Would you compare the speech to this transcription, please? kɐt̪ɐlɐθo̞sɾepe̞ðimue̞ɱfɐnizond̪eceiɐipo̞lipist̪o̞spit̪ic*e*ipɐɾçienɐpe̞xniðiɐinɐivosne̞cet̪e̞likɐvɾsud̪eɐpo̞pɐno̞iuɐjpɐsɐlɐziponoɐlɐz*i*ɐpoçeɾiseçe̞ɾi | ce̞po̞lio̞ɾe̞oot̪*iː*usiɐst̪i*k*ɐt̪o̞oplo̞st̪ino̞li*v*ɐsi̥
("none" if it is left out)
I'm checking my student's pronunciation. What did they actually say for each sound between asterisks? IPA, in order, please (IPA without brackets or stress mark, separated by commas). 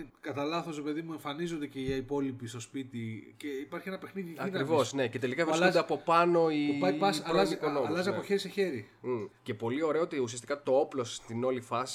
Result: e, i, i, k, f